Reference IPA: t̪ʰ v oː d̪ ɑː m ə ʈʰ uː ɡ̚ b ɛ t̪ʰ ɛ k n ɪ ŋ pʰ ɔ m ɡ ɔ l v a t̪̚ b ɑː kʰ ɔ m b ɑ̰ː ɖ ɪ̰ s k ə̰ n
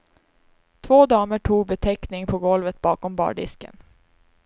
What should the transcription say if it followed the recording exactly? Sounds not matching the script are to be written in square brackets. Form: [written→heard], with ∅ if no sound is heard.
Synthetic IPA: t̪ʰ v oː d̪ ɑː m ə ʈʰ uː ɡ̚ b ɛ t̪ʰ ɛ k n ɪ ŋ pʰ ɔ [m→∅] ɡ ɔ l v [a→ə] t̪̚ b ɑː [kʰ→k] ɔ m b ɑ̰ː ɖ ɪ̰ s k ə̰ n

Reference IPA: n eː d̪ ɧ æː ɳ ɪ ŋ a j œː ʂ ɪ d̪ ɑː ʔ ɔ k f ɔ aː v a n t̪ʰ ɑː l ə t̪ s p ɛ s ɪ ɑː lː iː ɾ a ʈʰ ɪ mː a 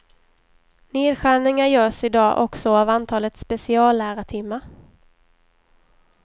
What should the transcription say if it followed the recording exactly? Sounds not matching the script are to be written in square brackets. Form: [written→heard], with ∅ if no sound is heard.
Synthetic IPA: n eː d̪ ɧ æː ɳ ɪ ŋ a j œː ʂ ɪ d̪ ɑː ʔ ɔ k [f→s] ɔ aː v a n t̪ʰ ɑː l ə t̪ s p ɛ s ɪ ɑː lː [iː→æː] ɾ a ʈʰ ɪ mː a

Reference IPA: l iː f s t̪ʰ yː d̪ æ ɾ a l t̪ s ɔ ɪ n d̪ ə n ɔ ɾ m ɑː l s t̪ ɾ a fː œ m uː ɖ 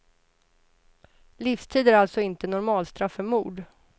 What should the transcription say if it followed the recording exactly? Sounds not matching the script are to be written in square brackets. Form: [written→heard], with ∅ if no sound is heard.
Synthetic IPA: l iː f s t̪ʰ [yː→iː] d̪ æ ɾ a l t̪ s ɔ ɪ n [d̪→t̪] ə n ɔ ɾ m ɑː l s t̪ ɾ a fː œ m uː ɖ

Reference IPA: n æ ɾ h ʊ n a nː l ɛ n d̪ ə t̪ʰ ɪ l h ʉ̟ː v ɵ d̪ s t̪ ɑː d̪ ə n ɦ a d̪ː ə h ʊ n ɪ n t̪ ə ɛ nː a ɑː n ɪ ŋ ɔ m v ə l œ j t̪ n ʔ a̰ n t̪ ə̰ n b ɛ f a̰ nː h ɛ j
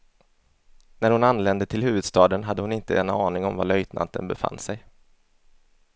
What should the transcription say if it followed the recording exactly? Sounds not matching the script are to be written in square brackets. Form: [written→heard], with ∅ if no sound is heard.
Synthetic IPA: n æ ɾ h ʊ n a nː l ɛ n d̪ ə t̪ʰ ɪ l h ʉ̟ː v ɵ d̪ s t̪ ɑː d̪ ə n ɦ a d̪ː ə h ʊ n ɪ n t̪ ə ɛ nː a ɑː n ɪ ŋ ɔ m v [ə→a] l œ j t̪ n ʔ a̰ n t̪ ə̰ n b ɛ f a̰ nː [h→s] ɛ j

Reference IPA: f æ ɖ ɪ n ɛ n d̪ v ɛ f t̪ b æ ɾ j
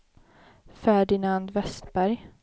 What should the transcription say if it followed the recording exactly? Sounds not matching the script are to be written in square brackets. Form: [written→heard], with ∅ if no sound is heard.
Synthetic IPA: f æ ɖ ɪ n [ɛ→a] n d̪ v ɛ [f→s] t̪ b æ ɾ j

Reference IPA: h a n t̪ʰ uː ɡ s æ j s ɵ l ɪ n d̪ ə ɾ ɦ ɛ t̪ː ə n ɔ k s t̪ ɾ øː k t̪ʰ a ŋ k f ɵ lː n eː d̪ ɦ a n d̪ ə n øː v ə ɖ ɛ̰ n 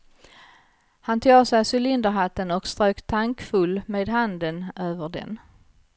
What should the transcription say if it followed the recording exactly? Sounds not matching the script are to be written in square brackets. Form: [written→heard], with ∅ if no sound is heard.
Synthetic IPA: h a n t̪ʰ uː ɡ s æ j s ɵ l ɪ n d̪ ə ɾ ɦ [ɛ→a] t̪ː ə n ɔ k s t̪ ɾ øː k t̪ʰ a ŋ k f ɵ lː [n→m] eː d̪ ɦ a n d̪ ə n øː v ə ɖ ɛ̰ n

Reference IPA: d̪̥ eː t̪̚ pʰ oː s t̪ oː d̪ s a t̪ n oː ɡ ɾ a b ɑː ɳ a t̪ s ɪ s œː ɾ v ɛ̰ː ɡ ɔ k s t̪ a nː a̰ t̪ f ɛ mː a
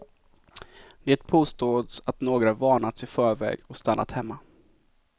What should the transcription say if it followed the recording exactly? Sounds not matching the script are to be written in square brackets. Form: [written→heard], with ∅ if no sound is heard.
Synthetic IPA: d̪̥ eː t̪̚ pʰ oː s t̪ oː d̪ s a t̪ n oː ɡ ɾ a [b→v] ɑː ɳ a t̪ s ɪ [s→f] œː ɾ v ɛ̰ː ɡ ɔ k s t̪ a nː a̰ t̪ [f→h] ɛ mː a

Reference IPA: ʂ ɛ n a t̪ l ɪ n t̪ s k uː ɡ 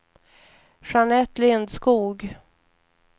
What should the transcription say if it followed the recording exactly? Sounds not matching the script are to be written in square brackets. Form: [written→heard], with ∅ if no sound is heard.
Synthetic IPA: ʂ [ɛ→a] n [a→ɛ] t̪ l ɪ n [t̪→d̪] s k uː ɡ

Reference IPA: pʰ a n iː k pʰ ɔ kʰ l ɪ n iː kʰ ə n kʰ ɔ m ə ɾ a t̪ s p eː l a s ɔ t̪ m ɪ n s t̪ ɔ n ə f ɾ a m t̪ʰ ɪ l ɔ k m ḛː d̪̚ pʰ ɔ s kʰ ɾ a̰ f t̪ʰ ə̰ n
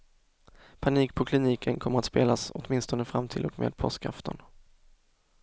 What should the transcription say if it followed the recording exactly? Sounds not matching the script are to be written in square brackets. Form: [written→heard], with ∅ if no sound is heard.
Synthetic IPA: pʰ a n iː k pʰ ɔ kʰ l ɪ n iː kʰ ə n kʰ ɔ m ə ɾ a t̪ s p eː l a s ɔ t̪ m ɪ n s t̪ ɔ n ə f ɾ a m t̪ʰ ɪ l ɔ k m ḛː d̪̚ pʰ ɔ s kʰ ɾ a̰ f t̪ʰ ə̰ n

